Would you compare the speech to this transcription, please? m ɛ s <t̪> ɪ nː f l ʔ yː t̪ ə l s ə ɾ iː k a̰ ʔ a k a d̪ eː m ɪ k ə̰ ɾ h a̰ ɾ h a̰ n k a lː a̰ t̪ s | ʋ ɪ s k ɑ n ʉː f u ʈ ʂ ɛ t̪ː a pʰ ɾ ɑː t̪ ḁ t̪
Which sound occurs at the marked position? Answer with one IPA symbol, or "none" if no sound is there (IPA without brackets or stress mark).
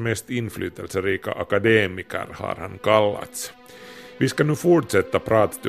t̪